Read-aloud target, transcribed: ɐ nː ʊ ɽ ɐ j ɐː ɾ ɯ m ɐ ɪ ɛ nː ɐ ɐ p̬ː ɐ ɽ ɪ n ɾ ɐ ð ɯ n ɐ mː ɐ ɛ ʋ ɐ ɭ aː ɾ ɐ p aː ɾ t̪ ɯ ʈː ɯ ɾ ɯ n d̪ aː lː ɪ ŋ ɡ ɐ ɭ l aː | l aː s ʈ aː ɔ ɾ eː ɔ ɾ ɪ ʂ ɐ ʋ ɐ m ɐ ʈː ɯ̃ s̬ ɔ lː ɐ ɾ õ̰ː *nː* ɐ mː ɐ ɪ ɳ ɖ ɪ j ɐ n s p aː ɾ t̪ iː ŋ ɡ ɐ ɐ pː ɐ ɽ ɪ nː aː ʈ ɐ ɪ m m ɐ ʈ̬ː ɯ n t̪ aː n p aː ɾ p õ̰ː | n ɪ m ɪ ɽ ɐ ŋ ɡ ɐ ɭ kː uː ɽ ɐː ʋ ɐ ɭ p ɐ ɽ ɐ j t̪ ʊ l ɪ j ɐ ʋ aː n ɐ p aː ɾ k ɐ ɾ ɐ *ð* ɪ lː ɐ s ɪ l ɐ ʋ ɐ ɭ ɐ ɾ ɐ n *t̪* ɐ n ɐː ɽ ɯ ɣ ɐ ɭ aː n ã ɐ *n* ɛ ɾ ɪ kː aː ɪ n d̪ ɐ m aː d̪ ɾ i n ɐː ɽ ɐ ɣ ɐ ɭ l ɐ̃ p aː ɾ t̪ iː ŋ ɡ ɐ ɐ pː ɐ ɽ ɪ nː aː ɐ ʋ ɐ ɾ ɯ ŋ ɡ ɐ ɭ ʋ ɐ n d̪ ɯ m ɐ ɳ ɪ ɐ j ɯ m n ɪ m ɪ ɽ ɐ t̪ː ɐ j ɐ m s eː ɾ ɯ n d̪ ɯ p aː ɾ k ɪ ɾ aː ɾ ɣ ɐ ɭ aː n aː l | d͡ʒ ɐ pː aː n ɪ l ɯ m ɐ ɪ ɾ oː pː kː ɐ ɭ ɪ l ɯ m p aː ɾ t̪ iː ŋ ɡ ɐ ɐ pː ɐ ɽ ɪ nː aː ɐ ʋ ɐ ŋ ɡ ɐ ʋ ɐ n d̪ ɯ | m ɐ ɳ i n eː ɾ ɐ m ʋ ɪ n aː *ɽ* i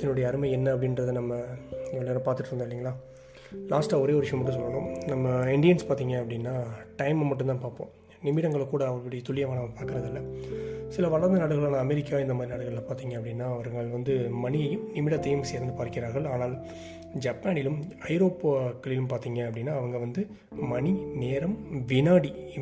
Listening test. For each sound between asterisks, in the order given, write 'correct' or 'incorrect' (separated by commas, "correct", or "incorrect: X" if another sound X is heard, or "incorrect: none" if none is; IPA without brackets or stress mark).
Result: incorrect: n, correct, incorrect: d̪, incorrect: m, correct